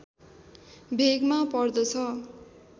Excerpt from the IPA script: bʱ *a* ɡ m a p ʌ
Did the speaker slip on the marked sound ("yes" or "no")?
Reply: yes